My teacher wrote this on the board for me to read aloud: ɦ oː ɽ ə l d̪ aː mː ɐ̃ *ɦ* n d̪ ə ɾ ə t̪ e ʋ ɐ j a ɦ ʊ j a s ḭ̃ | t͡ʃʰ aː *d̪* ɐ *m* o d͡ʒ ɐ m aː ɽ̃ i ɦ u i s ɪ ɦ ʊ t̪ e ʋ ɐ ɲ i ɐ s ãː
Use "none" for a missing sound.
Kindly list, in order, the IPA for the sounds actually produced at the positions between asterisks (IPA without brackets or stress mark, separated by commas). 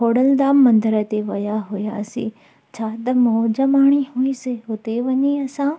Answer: none, t̪, m